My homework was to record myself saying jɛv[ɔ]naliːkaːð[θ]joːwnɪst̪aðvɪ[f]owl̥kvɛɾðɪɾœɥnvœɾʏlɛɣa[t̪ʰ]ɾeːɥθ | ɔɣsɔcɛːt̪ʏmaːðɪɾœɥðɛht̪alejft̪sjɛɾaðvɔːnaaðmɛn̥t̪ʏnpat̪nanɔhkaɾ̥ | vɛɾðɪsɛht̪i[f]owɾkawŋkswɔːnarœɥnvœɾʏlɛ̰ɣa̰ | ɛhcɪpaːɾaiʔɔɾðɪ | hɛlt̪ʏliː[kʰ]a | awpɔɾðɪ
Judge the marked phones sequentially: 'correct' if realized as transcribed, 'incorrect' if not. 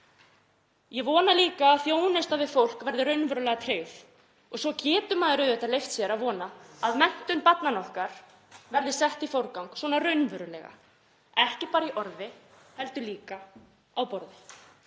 incorrect: ɔː, correct, correct, correct, correct, incorrect: k

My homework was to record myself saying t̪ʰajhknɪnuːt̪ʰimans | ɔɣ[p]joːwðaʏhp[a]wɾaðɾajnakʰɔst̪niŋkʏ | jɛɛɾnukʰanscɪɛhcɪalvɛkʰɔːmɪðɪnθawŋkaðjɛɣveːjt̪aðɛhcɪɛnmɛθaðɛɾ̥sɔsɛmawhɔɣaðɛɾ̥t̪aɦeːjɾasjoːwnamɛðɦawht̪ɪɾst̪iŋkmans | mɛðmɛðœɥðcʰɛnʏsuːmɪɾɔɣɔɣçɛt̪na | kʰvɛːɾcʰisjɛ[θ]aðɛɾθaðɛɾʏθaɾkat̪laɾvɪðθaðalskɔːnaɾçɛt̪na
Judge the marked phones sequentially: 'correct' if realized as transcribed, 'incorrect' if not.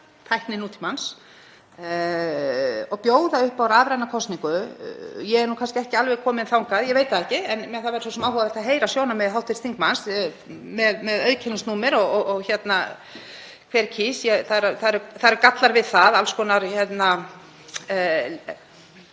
correct, correct, correct

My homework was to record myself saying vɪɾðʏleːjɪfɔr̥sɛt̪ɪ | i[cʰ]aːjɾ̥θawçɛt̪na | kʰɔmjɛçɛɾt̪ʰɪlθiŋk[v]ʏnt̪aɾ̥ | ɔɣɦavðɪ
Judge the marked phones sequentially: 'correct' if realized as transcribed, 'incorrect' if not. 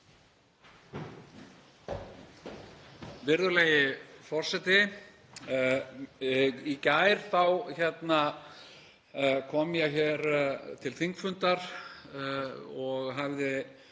incorrect: c, incorrect: f

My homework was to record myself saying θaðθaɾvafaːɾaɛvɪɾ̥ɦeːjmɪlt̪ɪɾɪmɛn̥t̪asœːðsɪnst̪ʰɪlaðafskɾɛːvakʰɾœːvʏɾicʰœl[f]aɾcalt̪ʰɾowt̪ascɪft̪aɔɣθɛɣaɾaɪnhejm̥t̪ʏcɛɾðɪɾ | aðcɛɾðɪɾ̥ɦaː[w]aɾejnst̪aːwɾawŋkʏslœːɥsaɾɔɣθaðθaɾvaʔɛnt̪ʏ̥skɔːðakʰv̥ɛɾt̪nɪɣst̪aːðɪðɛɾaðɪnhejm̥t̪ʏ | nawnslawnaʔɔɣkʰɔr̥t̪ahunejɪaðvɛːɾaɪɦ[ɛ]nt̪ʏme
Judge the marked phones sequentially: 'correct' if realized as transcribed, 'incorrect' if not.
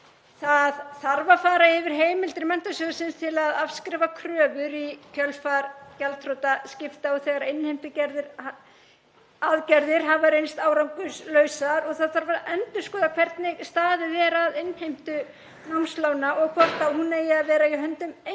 correct, incorrect: v, incorrect: œ

